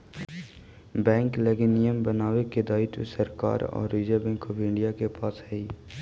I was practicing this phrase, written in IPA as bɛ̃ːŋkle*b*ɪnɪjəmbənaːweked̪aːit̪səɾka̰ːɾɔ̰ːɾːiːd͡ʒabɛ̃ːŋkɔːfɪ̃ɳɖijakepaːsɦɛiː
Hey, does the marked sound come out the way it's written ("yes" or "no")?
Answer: no